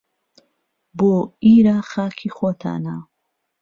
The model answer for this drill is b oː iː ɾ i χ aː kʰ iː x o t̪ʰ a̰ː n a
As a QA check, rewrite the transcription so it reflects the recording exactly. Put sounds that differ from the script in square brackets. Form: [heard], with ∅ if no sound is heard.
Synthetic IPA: b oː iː ɾ [a] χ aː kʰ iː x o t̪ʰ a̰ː n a